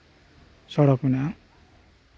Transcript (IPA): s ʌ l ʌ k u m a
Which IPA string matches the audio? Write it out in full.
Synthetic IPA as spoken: s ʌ ɽ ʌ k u n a